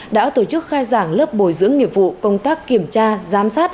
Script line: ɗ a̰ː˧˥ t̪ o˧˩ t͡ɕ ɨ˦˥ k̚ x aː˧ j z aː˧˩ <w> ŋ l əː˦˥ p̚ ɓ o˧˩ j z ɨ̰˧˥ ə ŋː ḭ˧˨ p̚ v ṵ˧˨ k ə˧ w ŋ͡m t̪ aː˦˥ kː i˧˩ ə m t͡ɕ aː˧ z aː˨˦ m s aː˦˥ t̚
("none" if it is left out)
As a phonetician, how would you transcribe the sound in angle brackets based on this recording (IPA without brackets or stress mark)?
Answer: none